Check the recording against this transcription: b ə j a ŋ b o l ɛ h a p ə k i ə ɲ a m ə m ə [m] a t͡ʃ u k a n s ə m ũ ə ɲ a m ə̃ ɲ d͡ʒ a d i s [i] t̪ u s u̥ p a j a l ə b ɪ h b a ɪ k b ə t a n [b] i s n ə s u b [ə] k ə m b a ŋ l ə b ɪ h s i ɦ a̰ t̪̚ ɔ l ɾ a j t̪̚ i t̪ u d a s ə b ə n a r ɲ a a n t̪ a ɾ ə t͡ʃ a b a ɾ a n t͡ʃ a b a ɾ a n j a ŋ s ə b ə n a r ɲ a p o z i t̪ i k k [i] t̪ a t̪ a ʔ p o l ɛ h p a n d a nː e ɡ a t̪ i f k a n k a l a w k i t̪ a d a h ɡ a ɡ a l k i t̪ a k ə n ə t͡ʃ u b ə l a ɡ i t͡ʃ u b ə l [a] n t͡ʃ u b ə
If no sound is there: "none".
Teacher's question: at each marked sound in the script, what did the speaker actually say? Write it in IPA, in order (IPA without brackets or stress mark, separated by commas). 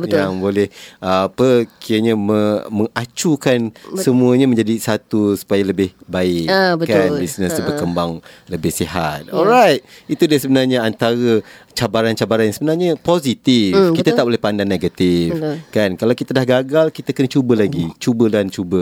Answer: ŋ, a, b, ə, i, a